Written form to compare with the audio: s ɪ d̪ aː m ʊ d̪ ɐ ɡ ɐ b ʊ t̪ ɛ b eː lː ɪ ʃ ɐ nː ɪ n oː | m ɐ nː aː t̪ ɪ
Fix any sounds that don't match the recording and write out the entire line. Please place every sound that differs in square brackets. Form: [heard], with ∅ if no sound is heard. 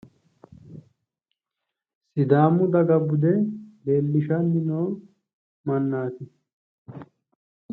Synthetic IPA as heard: s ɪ d̪ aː m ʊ d̪ ɐ ɡ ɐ b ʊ [d̪] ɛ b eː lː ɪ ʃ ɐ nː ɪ n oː | m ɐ nː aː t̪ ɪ

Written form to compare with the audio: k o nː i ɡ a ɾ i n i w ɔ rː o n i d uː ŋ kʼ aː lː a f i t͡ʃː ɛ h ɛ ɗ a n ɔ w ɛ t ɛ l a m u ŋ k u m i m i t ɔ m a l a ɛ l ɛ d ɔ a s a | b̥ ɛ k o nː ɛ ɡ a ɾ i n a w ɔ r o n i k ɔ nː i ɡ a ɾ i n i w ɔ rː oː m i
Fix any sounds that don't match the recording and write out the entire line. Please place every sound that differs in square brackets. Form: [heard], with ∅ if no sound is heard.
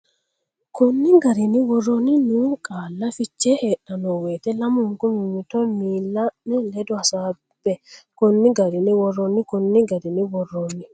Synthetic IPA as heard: k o nː i ɡ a ɾ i n i w ɔ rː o n i [n] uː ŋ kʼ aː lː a f i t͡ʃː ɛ h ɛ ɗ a n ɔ w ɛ t ɛ l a m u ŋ k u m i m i t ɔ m [i] l a ɛ l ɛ d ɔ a s a | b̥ ɛ k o nː [i] ɡ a ɾ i n [i] w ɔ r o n i k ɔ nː i ɡ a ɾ i n i w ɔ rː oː [n] i

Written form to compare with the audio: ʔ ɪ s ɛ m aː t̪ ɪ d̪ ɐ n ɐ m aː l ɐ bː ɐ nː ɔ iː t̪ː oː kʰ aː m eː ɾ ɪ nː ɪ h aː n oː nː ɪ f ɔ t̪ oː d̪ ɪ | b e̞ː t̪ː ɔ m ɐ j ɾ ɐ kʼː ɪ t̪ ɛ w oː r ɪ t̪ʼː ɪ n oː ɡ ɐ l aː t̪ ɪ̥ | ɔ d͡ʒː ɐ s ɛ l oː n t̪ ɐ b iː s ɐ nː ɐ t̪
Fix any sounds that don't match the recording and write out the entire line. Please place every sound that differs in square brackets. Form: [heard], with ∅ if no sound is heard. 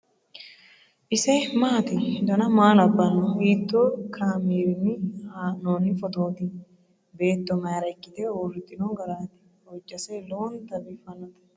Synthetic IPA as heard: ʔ ɪ s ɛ m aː t̪ ɪ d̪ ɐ n ɐ m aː l ɐ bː ɐ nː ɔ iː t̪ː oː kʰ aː m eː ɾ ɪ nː ɪ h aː n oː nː ɪ f ɔ t̪ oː [t̪] ɪ | b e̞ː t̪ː ɔ m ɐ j ɾ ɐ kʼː ɪ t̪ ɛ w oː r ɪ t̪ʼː ɪ n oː ɡ ɐ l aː t̪ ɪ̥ | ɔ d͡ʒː ɐ s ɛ l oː n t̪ ɐ b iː [f] ɐ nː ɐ t̪

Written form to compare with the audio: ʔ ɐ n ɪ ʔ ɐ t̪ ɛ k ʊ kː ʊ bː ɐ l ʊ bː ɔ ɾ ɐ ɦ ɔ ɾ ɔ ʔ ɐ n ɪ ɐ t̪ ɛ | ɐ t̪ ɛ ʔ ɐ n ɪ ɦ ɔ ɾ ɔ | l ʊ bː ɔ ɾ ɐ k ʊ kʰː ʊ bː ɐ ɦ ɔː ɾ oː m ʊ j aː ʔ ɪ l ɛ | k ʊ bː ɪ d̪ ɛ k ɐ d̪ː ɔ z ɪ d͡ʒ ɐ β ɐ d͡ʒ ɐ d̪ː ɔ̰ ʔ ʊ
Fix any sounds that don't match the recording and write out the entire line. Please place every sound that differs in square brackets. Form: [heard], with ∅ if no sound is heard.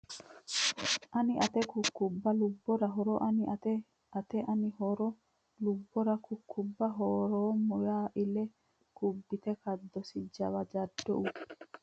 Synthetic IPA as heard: ʔ ɐ n ɪ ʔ ɐ t̪ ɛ k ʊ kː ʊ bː ɐ l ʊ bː ɔ ɾ ɐ ɦ ɔ ɾ ɔ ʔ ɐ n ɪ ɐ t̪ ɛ | ɐ t̪ ɛ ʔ ɐ n ɪ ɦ ɔ ɾ ɔ | l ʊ bː ɔ ɾ ɐ k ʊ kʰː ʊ bː ɐ ɦ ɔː ɾ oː m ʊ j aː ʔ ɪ l ɛ | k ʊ bː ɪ [t̪] ɛ k ɐ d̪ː ɔ [s] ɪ d͡ʒ ɐ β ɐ d͡ʒ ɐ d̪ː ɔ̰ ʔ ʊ

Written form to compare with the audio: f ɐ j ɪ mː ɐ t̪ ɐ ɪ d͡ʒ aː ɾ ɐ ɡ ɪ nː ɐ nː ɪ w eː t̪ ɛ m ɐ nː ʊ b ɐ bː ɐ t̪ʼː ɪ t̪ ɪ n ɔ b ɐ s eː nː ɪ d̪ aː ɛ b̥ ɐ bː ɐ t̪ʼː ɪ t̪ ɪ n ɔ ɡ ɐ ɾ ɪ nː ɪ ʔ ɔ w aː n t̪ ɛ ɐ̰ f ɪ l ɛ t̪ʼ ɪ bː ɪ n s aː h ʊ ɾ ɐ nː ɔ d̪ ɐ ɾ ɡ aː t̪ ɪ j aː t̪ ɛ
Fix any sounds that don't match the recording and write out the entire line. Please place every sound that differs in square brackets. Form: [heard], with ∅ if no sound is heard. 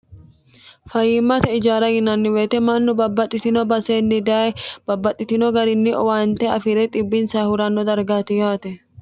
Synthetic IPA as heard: f ɐ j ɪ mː ɐ t̪ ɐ ɪ d͡ʒ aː ɾ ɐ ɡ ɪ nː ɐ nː ɪ w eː t̪ ɛ m ɐ nː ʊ b ɐ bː ɐ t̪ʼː ɪ t̪ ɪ n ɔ b ɐ s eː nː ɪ d̪ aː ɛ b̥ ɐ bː ɐ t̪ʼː ɪ t̪ ɪ n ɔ ɡ ɐ ɾ ɪ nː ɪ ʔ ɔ w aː n t̪ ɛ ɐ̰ f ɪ [ɾ] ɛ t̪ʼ ɪ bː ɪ n s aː h ʊ ɾ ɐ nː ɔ d̪ ɐ ɾ ɡ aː t̪ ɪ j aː t̪ ɛ

